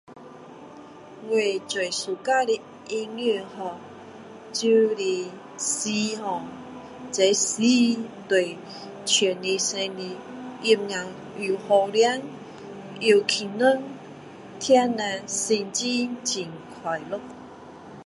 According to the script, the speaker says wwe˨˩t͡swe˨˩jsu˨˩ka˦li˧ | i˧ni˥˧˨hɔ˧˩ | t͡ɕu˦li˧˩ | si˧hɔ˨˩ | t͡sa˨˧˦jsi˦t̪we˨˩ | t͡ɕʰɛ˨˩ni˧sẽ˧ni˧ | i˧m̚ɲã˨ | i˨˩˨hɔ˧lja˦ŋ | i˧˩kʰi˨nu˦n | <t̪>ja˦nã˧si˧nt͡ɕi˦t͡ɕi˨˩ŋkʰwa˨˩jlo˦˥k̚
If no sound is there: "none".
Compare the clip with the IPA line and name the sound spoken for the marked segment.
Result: t̪ʰ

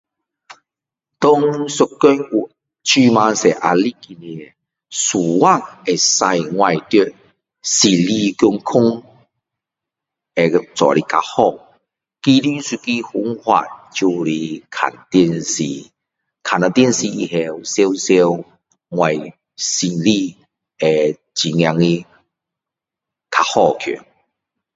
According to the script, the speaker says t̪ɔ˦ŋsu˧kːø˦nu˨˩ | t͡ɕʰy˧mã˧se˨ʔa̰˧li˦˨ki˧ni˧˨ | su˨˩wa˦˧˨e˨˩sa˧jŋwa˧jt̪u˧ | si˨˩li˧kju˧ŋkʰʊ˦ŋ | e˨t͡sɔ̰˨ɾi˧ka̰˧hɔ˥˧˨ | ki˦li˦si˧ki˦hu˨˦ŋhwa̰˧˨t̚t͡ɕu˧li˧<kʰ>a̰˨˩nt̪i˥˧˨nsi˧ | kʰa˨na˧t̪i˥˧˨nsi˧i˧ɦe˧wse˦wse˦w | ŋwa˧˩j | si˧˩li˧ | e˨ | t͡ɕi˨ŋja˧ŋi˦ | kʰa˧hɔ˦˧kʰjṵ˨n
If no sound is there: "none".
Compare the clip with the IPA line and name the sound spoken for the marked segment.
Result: kʰ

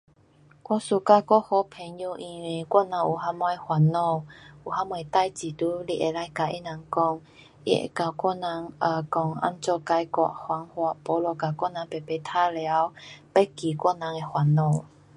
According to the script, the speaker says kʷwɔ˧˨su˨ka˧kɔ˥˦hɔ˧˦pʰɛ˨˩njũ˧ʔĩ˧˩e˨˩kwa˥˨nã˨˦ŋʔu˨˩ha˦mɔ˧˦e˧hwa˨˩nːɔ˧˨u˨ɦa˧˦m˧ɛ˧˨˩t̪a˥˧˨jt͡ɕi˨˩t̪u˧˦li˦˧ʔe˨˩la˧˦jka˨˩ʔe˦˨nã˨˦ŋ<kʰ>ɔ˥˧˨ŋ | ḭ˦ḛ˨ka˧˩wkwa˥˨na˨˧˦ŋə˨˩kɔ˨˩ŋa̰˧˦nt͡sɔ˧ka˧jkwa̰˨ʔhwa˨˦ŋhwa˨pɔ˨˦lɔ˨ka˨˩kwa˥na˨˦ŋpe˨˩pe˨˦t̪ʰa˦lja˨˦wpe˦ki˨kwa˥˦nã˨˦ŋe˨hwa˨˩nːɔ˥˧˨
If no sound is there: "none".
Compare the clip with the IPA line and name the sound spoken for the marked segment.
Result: k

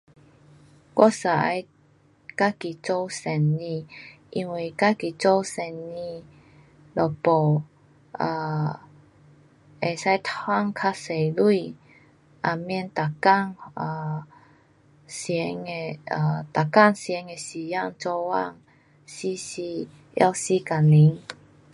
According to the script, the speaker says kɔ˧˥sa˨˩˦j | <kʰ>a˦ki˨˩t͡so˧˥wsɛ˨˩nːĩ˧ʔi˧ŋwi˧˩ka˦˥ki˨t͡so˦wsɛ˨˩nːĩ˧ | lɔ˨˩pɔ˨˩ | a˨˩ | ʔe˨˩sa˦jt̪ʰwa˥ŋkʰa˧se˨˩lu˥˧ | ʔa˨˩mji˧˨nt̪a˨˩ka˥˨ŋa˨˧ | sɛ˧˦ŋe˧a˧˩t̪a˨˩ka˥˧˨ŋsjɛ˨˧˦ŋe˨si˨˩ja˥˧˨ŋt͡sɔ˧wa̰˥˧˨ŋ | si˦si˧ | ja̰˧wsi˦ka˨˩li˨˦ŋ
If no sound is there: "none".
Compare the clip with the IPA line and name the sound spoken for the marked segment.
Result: k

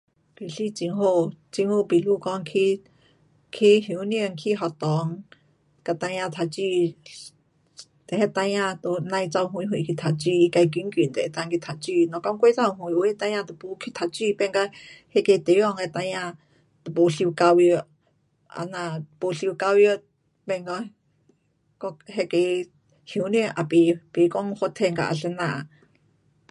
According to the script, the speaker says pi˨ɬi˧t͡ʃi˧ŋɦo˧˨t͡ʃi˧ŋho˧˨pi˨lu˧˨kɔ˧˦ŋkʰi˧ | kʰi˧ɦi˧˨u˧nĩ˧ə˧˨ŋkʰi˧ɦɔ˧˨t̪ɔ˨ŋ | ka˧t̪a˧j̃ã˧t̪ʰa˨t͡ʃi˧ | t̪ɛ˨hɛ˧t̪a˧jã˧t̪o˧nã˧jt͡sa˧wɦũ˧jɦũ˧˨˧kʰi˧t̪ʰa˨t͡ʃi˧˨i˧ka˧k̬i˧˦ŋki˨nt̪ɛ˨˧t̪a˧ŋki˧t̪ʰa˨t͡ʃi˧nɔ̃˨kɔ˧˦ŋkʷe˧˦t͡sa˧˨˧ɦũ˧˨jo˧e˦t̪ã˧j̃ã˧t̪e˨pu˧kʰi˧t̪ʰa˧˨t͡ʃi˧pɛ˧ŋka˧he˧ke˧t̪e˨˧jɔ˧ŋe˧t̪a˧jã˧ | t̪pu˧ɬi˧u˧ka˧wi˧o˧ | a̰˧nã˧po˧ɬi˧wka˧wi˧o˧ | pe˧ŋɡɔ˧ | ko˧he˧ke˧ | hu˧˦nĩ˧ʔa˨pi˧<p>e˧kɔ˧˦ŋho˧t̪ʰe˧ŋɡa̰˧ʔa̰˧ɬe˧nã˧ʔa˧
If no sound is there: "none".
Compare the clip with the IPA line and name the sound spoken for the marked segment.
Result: p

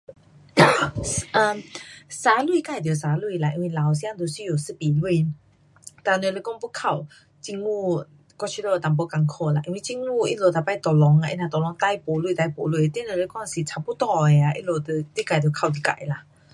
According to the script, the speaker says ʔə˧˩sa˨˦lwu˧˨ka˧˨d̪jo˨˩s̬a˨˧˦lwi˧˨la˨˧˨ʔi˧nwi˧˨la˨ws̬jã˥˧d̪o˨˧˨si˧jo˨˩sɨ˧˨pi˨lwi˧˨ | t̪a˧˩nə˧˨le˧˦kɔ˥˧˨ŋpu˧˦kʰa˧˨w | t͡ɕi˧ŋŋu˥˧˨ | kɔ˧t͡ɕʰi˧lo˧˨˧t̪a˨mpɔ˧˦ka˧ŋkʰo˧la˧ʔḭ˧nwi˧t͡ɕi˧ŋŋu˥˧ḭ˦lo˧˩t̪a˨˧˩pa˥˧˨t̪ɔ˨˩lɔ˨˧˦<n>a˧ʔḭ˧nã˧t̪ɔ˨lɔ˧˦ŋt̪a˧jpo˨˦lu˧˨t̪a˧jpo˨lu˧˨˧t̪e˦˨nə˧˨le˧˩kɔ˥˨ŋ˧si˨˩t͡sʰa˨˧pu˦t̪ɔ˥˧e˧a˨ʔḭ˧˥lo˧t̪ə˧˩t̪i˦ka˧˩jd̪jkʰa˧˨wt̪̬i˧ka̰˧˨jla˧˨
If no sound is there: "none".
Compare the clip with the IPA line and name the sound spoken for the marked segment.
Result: ŋ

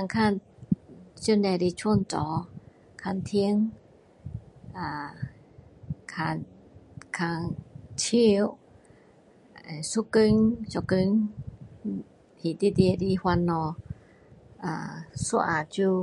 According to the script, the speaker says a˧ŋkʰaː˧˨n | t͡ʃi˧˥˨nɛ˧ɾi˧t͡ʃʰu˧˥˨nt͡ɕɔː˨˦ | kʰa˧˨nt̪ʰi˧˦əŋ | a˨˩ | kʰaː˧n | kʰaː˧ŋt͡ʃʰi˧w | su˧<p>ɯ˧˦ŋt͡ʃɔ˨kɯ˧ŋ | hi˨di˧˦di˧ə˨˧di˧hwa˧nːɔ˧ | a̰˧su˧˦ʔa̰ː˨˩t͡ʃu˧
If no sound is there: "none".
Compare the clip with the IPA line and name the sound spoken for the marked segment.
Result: k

